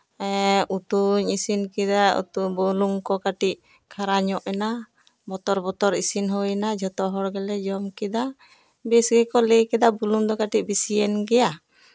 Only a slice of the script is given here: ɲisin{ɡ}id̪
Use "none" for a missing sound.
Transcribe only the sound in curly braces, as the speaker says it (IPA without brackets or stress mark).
k